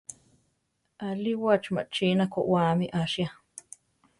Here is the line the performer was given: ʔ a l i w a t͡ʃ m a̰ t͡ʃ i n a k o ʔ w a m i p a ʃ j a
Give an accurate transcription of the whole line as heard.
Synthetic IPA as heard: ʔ a l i w a t͡ʃ m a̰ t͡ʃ i n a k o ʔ w a m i ʔ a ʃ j a